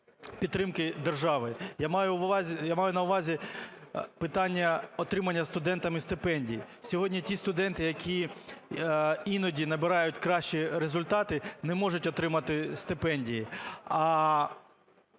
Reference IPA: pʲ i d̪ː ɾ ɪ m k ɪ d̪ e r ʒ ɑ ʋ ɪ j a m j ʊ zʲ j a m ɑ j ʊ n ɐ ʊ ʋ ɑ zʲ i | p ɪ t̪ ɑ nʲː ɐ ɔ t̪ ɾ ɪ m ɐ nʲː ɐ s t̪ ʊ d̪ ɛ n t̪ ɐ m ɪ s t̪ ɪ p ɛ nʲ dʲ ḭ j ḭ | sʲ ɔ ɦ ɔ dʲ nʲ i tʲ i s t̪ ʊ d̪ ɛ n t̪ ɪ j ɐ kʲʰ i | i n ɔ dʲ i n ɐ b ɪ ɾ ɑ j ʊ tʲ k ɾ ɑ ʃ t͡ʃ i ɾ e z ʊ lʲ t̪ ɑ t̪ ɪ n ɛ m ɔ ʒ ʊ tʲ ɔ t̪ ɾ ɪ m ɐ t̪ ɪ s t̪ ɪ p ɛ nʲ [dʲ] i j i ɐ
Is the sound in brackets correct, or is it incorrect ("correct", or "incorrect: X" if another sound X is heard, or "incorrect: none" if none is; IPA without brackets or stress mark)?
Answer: correct